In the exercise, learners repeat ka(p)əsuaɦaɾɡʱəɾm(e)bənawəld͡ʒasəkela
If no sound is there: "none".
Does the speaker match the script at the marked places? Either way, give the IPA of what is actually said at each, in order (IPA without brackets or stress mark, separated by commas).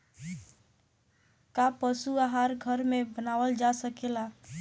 p, e